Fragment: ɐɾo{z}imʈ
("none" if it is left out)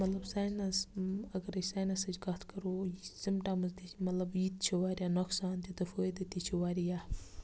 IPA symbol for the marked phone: s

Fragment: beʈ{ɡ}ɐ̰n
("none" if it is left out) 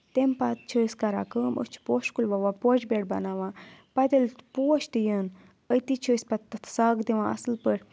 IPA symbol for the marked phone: b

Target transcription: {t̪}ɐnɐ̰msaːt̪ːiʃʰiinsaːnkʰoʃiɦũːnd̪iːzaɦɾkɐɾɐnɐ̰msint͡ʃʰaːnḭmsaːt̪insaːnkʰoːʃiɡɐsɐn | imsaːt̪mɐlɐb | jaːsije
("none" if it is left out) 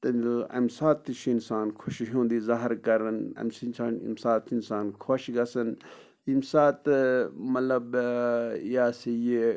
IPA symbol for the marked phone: t̪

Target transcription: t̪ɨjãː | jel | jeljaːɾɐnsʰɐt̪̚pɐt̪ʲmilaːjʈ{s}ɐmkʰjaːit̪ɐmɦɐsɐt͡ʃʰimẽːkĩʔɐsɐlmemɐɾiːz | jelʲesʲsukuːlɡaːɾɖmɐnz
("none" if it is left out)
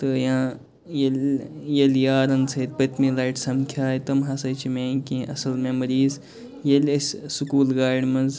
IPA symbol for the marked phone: s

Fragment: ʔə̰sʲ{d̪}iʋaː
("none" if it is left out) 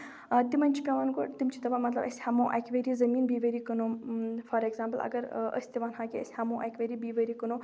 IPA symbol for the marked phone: t̪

